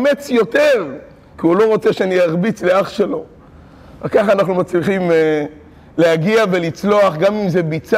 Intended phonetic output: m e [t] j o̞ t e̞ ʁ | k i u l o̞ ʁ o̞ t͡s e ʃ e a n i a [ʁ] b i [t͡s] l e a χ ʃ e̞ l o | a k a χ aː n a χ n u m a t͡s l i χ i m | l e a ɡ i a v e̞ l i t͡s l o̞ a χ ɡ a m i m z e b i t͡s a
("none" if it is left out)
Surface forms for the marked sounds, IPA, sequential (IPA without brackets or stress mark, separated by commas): t͡s, ʁ, t͡s